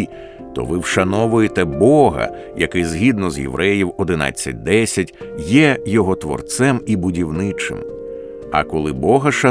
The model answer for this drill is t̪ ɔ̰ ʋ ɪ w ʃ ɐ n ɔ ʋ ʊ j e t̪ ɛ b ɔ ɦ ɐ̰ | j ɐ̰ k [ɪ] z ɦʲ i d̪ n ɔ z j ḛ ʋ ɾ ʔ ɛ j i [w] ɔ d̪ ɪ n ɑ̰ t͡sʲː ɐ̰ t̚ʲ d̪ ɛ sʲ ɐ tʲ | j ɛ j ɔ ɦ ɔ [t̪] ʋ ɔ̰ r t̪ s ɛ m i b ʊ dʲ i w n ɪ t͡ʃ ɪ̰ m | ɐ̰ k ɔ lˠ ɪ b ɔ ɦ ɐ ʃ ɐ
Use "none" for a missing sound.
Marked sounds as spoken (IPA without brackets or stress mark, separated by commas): ɪ, w, t̪